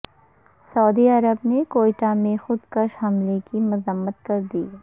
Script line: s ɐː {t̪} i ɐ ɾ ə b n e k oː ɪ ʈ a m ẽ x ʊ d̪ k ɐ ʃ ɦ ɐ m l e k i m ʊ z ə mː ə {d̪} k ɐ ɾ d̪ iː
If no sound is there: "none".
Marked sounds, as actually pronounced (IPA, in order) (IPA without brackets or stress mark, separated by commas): d̪, t̪